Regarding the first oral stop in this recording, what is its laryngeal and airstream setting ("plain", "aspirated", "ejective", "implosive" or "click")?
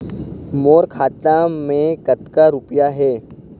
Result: aspirated